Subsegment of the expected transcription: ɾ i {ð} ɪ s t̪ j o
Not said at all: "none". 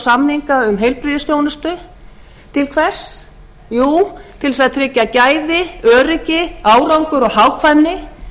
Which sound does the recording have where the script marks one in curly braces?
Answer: ð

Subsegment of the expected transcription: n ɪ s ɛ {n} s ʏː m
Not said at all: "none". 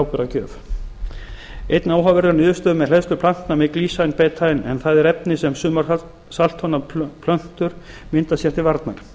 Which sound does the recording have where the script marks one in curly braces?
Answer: m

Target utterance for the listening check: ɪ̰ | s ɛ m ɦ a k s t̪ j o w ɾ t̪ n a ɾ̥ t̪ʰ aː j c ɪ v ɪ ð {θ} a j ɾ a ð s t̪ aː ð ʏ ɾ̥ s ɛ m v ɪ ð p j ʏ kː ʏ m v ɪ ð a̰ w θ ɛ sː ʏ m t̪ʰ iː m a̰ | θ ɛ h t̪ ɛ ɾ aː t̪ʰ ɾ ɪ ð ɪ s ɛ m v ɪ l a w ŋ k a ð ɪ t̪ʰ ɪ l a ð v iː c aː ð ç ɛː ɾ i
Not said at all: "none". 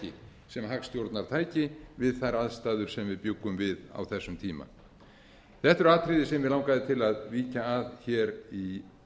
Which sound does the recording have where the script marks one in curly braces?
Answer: θ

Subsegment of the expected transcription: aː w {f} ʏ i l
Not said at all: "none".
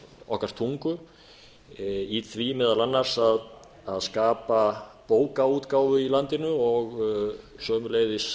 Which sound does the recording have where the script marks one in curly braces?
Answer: v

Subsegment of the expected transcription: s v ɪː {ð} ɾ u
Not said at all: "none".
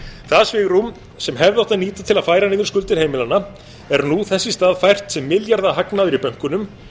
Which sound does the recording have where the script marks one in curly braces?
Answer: ɣ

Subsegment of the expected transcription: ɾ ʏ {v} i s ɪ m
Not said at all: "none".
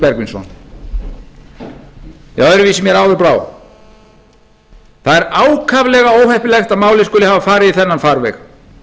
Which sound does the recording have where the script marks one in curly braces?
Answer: v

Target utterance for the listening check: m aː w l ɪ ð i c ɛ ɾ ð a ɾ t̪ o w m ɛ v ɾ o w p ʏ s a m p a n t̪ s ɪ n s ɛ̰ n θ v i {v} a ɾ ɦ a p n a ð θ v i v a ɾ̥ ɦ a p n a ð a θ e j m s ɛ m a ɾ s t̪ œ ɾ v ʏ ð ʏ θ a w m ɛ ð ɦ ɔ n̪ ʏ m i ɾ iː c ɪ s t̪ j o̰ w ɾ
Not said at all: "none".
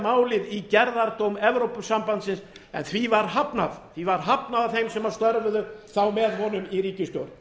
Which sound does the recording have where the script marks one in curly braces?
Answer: v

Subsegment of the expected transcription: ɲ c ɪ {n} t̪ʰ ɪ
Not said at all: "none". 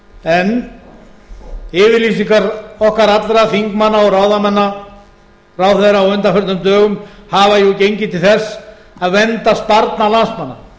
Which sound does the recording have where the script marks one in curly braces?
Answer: none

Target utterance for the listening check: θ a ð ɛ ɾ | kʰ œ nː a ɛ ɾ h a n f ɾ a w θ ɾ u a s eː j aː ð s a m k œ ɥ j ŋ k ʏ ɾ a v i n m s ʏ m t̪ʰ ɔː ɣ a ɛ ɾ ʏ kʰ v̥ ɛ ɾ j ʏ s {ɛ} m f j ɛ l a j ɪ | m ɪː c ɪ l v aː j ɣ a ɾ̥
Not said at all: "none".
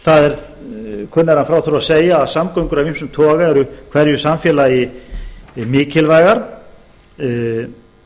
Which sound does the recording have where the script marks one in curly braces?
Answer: a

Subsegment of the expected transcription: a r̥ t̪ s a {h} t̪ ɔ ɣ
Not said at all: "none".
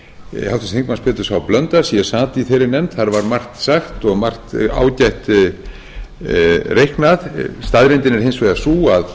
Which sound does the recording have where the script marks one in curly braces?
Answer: x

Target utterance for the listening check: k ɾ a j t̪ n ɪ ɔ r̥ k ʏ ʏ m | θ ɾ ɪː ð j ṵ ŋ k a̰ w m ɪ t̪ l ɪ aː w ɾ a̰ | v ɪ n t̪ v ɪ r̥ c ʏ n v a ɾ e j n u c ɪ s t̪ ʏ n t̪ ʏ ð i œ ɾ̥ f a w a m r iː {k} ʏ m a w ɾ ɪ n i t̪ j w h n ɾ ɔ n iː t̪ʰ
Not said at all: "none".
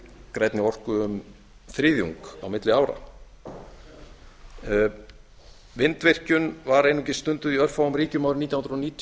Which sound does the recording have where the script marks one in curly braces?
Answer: c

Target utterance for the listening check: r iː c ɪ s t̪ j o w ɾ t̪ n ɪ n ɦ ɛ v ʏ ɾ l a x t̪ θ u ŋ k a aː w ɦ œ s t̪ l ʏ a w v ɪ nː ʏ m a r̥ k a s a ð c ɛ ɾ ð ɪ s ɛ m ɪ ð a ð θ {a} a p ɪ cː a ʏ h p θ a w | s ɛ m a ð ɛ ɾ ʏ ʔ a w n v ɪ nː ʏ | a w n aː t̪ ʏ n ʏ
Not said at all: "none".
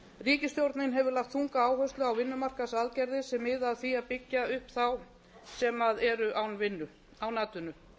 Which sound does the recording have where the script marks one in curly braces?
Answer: i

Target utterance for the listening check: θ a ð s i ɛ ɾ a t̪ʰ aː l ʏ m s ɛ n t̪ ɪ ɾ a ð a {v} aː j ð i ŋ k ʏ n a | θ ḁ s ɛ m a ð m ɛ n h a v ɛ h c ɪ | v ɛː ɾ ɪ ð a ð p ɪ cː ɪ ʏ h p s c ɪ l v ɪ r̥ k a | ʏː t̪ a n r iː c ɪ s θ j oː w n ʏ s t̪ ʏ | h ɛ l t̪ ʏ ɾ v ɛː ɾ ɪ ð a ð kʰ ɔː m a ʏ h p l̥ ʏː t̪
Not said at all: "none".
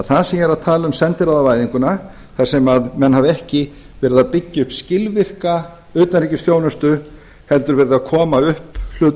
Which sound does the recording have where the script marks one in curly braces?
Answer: v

